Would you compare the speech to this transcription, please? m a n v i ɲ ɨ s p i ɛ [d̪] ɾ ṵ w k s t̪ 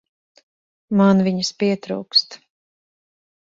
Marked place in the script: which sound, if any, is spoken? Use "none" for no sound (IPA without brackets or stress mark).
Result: t̪